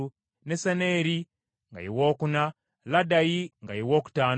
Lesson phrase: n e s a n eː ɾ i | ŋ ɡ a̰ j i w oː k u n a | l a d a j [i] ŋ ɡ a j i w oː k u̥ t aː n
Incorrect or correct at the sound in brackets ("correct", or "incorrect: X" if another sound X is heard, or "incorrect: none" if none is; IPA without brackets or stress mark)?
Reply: correct